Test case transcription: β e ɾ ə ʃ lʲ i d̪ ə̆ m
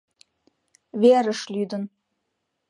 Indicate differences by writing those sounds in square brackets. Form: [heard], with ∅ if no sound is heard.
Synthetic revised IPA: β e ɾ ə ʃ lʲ [y] d̪ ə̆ [n]